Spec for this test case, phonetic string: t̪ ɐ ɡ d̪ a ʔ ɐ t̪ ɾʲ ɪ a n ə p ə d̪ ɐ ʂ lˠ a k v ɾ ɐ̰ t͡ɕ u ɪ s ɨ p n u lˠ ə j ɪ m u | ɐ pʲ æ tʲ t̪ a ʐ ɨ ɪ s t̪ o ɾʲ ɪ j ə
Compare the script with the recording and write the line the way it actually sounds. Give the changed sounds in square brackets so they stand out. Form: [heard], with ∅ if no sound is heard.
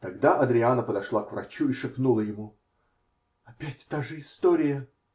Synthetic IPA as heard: t̪ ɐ ɡ d̪ a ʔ ɐ [d̪] ɾʲ ɪ a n ə p ə d̪ ɐ ʂ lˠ a k v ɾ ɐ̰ t͡ɕ u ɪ [ʂ] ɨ p n u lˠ ə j ɪ m u | ɐ pʲ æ tʲ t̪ a ʐ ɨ ɪ s t̪ o ɾʲ ɪ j ə